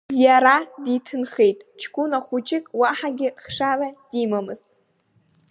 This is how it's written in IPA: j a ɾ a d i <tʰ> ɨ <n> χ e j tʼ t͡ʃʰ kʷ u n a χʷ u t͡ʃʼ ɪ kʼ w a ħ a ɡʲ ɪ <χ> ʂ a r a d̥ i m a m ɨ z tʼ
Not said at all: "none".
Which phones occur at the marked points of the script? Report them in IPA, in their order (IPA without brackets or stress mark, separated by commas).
tʰ, n, χ